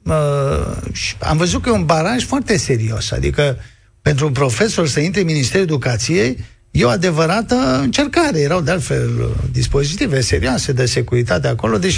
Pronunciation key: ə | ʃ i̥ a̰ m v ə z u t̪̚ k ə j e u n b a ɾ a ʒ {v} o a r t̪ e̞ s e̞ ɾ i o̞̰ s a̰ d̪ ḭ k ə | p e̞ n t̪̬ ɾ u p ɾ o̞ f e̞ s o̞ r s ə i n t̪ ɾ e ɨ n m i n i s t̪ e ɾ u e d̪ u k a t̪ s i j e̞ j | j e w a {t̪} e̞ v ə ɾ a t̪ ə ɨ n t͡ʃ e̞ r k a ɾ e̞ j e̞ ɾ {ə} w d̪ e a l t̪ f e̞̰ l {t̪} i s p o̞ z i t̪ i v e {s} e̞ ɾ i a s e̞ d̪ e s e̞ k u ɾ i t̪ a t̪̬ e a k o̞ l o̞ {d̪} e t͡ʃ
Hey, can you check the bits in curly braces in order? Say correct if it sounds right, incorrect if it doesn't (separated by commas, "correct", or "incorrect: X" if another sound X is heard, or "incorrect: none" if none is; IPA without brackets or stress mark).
incorrect: f, incorrect: d̪, incorrect: a, incorrect: d̪, correct, correct